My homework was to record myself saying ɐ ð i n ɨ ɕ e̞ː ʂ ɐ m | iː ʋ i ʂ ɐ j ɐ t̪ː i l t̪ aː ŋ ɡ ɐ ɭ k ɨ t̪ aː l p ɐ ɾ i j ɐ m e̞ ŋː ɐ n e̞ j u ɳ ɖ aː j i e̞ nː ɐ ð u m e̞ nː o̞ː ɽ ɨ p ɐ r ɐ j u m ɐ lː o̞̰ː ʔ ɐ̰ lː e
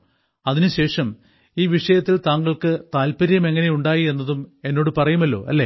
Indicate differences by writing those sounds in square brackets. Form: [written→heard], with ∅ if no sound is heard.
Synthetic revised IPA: ɐ ð i n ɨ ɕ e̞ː ʂ ɐ m | iː ʋ i ʂ ɐ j ɐ t̪ː i l t̪ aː ŋ ɡ ɐ ɭ k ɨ t̪ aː l p ɐ ɾ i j ɐ m e̞ ŋː ɐ n e̞ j u ɳ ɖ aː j i e̞ nː ɐ ð u m e̞ nː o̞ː ɽ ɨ p ɐ r ɐ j u m ɐ lː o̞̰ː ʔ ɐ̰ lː e